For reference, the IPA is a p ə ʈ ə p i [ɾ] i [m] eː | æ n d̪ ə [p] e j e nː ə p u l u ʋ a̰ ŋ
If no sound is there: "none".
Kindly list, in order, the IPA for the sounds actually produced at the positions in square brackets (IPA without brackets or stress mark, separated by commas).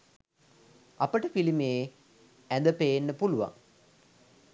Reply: l, m, p